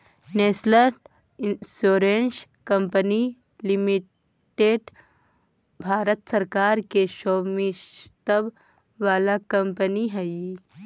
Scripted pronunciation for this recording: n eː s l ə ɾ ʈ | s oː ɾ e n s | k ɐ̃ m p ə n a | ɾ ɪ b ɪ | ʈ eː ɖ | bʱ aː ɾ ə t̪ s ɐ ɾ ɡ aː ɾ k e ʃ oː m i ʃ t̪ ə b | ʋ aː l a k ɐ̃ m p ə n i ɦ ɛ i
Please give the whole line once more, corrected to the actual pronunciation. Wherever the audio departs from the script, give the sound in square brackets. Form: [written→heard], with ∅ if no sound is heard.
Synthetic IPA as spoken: n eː s l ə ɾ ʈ | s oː ɾ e n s | k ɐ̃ m p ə n [a→i] | [ɾ→l] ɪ [b→m] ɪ | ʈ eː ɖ | bʱ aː ɾ ə t̪ s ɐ ɾ [ɡ→k] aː ɾ k e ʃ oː m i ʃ t̪ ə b | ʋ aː l a k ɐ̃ m p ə n i ɦ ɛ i